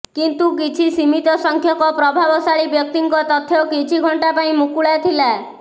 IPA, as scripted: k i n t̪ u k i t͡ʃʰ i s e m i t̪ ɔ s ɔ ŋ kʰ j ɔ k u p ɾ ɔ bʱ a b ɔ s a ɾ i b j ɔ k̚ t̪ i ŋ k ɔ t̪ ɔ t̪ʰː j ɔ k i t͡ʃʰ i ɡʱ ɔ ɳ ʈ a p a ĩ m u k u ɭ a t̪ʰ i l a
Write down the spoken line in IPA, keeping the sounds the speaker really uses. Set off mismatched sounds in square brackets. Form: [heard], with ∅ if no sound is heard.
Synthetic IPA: k i n t̪ u k i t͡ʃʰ i s [i] m i t̪ ɔ s ɔ ŋ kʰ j ɔ k [ɔ] p ɾ ɔ bʱ a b ɔ s a [ɭ] i b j ɔ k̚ t̪ i ŋ k ɔ t̪ ɔ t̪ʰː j ɔ k i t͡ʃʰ i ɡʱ ɔ ɳ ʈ a p a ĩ m u k u ɭ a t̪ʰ i l a